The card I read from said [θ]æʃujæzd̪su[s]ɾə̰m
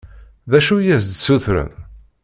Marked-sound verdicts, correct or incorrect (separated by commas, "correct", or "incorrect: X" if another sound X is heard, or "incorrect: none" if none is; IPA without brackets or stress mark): incorrect: ð, incorrect: θ